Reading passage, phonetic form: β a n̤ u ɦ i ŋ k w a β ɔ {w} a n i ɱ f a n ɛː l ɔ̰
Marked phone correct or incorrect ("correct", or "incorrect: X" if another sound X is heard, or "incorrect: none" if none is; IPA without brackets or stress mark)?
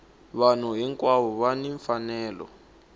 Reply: incorrect: β